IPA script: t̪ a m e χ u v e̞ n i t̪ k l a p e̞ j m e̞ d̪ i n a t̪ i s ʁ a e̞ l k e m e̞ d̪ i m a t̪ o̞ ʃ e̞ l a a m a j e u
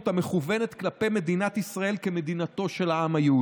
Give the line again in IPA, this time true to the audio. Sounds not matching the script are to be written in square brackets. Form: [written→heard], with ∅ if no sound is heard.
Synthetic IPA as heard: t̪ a m e χ u v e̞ n [i→e] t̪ k l a p e̞ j m e̞ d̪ i n a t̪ i s ʁ a e̞ l k e m e̞ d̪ i [m→n] a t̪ o̞ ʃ e̞ l a a m a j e u